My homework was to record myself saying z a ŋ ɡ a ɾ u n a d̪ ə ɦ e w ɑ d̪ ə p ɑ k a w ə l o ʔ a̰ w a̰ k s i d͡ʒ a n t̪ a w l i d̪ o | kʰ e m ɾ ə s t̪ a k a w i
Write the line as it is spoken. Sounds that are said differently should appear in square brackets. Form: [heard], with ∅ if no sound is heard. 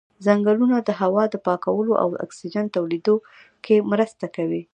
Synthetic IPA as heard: z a ŋ ɡ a [l] u n a d̪ ə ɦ [a] w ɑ d̪ ə p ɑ k a w ə l o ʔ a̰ w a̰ k s i d͡ʒ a n t̪ a w l i d̪ o | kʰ e m ɾ ə s t̪ a k a w i